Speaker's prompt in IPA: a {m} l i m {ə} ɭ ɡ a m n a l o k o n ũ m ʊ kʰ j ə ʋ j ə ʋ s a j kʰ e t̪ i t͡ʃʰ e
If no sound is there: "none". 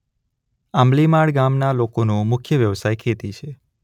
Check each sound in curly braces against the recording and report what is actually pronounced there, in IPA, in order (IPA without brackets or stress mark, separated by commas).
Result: m, a